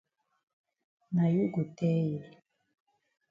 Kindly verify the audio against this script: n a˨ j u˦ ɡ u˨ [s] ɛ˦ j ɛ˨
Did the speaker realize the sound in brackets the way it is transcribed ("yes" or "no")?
no